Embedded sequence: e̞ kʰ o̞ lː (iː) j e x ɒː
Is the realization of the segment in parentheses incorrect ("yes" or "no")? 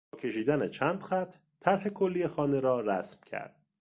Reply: yes